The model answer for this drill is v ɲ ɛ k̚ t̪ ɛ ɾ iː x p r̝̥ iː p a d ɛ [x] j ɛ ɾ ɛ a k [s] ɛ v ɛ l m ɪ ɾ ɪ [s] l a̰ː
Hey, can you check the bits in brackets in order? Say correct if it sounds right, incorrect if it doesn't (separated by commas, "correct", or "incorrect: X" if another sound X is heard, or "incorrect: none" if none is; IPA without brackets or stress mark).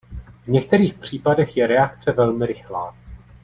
correct, incorrect: t͡s, incorrect: x